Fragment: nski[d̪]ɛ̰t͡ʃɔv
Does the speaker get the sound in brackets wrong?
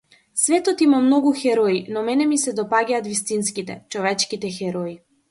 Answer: yes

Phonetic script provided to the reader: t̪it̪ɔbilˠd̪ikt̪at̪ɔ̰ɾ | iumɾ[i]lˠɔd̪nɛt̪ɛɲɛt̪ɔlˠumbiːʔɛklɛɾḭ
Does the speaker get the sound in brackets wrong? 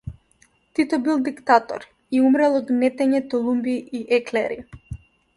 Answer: yes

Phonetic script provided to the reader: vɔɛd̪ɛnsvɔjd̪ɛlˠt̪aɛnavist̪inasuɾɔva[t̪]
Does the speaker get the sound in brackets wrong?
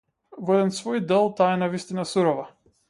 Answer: yes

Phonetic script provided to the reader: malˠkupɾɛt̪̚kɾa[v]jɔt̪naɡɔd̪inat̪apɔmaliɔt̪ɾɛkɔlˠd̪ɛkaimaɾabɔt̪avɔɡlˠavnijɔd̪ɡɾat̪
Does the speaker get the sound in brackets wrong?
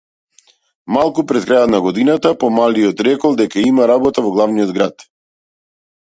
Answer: yes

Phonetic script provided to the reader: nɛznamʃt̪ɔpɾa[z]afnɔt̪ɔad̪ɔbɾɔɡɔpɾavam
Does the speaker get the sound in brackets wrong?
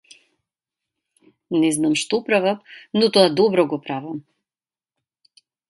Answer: yes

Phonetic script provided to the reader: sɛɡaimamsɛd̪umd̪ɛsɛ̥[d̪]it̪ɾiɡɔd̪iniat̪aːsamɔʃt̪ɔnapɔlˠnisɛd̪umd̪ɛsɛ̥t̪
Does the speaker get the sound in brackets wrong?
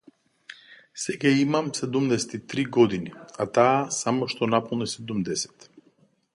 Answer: yes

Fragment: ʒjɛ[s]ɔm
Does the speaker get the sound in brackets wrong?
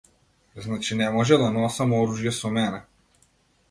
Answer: no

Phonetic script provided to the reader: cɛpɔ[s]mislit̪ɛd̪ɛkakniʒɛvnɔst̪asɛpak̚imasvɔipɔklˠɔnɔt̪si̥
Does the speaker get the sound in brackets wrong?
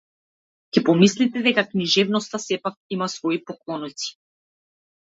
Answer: yes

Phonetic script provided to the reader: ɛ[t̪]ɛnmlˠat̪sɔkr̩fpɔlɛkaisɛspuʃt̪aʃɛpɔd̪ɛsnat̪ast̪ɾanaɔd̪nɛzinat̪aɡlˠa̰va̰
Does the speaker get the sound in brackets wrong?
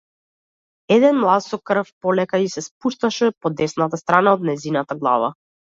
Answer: yes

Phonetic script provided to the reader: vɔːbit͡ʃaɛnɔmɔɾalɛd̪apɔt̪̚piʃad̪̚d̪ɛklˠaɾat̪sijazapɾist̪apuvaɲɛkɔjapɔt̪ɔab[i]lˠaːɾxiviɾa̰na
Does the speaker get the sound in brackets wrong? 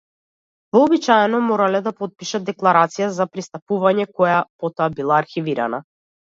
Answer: no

